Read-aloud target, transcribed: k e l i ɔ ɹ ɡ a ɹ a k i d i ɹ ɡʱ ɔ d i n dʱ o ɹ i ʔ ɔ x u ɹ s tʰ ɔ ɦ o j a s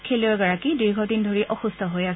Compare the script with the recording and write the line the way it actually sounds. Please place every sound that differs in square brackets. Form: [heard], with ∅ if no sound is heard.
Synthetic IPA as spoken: [kʰ] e l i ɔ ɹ ɡ a ɹ a k i d i ɹ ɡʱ ɔ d i n dʱ o ɹ i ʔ ɔ x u [∅] s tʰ ɔ ɦ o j a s